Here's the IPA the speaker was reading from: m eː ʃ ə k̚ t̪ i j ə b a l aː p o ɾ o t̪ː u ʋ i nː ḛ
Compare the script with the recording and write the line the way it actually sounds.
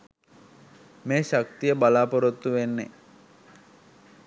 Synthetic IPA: m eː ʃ a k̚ t̪ i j ə b a l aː p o ɾ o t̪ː u ʋ e nː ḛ